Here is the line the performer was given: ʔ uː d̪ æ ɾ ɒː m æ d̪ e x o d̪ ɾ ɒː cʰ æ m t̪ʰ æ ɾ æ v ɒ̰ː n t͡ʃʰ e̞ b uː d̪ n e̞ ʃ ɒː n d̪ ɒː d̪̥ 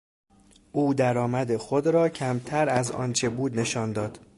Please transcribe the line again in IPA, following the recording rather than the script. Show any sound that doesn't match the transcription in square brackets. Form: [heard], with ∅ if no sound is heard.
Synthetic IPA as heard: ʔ uː d̪ æ ɾ ɒː m æ d̪ e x o d̪ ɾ ɒː cʰ æ m t̪ʰ æ ɾ æ [z] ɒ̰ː n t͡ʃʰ e̞ b uː d̪ n e̞ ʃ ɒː n d̪ ɒː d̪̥